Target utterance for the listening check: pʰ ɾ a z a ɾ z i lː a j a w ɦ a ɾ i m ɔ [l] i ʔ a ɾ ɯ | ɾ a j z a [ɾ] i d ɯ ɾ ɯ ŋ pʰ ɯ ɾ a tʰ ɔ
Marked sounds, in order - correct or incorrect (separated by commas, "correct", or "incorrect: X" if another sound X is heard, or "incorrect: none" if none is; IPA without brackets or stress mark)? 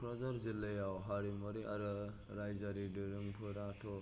incorrect: ɾ, correct